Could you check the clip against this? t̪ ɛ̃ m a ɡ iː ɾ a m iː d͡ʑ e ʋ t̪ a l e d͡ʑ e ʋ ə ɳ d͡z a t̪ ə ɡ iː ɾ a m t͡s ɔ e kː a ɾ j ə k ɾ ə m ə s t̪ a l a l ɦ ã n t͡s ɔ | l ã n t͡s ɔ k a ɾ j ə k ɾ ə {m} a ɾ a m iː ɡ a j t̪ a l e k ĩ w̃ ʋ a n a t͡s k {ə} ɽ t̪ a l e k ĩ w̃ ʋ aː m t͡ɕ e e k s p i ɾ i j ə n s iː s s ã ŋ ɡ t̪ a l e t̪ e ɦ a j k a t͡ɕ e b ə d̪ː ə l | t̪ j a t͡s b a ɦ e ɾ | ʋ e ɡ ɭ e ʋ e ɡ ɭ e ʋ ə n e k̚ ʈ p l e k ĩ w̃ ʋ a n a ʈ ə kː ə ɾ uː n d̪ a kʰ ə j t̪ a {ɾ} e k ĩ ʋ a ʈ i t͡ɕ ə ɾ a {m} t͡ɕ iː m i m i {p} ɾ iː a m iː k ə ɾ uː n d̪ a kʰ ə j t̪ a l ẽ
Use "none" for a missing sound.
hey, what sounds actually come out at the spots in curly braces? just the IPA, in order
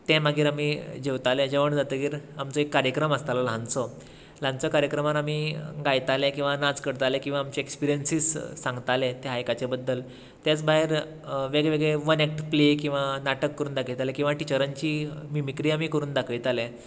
m, ə, l, ɲ, k

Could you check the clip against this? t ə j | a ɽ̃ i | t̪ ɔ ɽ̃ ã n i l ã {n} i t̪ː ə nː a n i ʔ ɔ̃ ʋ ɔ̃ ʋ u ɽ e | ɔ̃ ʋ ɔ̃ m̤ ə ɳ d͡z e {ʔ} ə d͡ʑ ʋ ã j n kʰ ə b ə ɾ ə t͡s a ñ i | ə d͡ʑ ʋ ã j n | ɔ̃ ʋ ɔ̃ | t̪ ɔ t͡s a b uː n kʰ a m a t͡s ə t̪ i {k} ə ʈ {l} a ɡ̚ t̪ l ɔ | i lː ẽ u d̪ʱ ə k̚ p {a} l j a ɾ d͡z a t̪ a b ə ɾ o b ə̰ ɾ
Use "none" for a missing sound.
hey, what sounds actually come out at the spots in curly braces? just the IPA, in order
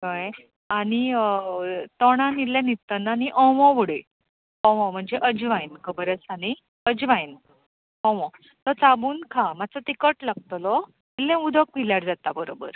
n, ʔ, k, l, i

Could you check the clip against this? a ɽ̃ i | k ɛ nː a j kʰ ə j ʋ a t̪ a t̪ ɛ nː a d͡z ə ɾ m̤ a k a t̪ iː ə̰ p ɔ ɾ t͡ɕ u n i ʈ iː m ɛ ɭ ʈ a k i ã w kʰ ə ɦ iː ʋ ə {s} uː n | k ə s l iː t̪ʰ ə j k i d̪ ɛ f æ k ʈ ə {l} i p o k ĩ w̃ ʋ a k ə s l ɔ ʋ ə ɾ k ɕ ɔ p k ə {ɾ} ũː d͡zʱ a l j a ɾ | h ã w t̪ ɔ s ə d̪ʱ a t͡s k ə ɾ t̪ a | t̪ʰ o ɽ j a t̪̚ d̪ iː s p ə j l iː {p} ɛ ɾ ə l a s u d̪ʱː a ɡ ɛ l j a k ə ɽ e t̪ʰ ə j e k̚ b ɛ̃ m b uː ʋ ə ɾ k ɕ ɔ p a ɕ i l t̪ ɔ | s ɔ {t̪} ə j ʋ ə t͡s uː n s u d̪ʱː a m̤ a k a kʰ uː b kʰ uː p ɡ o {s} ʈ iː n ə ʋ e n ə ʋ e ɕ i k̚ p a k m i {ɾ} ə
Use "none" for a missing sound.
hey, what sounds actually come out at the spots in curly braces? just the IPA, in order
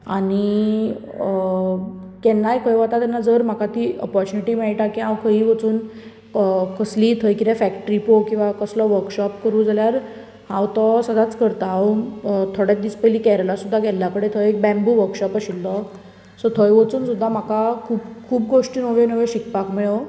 t͡s, ɾ, ɾ, k, t̪ʰ, ʂ, ɭ

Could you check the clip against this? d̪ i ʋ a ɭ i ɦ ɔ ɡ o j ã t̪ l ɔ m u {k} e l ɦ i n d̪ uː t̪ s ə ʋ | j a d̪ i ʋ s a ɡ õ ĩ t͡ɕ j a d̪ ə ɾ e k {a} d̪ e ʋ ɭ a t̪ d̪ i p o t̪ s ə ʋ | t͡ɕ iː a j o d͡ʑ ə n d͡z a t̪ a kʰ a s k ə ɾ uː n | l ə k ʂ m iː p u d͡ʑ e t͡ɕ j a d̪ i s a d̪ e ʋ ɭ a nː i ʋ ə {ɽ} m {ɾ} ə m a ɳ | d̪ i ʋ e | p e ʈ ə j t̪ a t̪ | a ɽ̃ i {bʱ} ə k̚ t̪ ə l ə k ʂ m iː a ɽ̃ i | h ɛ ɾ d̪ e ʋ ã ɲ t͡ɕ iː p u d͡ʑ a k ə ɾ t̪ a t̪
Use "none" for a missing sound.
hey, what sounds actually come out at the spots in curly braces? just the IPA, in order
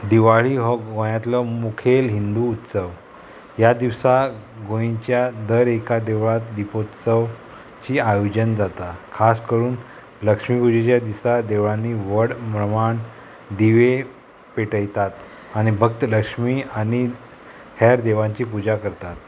kʰ, a, ɽ, ɾ, bʱ

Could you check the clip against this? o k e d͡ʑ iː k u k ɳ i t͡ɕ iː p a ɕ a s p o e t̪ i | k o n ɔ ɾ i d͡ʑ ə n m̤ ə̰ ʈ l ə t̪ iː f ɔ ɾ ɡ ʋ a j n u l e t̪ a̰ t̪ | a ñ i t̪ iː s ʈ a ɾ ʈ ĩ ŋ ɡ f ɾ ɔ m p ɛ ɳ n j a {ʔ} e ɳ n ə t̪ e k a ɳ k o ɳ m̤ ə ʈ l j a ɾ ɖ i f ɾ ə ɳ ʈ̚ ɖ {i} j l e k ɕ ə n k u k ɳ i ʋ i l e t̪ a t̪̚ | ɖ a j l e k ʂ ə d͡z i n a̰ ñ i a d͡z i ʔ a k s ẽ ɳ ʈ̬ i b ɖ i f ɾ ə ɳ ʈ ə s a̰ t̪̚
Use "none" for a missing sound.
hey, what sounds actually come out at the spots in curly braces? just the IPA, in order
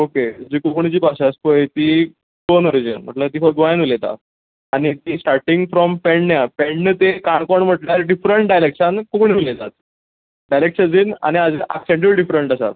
p, a

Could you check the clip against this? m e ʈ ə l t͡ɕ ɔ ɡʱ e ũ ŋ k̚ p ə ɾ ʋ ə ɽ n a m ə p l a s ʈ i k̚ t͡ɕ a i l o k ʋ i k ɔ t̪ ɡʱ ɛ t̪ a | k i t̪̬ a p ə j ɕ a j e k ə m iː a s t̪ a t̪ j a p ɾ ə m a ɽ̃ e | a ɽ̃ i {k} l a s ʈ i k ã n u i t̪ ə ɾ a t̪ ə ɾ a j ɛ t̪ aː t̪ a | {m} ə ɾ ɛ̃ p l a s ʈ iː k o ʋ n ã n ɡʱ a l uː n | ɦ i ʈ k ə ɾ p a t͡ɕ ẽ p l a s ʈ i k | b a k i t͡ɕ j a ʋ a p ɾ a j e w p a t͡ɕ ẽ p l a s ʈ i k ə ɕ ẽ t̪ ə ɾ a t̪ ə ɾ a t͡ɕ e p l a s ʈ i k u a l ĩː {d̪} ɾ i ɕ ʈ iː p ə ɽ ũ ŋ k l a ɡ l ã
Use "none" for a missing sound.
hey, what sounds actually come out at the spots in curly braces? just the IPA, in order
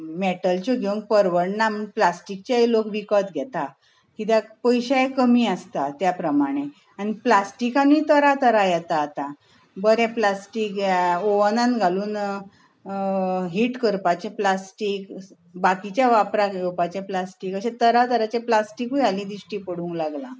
p, b, d̪

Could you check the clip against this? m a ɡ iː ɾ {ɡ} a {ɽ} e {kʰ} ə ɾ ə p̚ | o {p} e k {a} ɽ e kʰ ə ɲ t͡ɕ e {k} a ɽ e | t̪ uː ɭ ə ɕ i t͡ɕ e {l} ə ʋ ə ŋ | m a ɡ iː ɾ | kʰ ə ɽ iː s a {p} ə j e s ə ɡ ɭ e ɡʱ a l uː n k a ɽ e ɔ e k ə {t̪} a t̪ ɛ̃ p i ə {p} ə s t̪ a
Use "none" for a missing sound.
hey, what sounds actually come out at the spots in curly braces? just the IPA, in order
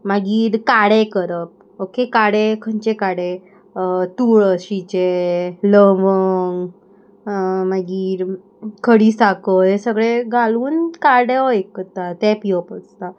k, ɽ, k, k, a, k, l, k, t̪, p

